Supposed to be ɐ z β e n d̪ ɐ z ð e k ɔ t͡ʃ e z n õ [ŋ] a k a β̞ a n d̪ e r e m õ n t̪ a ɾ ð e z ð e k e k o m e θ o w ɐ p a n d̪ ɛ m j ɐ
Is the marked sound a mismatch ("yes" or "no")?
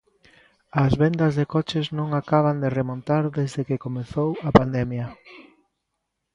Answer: no